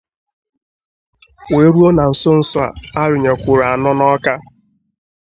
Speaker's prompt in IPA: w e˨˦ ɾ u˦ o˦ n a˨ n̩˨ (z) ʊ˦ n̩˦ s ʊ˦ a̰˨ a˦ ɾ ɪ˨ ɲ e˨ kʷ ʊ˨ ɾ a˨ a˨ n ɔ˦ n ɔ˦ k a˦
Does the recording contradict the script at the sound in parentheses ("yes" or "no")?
yes